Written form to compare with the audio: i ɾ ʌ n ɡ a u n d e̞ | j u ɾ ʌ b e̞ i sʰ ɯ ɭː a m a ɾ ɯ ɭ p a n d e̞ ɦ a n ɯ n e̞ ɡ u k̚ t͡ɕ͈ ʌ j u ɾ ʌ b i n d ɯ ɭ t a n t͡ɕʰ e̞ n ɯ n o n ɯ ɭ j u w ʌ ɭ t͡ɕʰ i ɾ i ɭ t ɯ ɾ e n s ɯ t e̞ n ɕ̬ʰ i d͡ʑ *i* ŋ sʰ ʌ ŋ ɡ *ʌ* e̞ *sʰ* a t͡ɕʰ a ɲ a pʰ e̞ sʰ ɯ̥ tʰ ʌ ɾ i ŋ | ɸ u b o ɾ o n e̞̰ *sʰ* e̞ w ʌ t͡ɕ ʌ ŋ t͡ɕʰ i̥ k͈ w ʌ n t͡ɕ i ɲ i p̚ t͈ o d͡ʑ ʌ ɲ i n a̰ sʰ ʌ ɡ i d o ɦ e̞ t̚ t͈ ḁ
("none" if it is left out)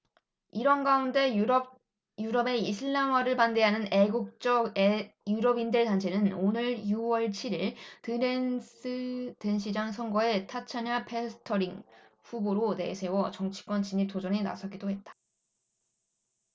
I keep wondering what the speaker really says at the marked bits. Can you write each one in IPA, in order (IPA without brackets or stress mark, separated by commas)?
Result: a, ʌ, tʰ, sʰ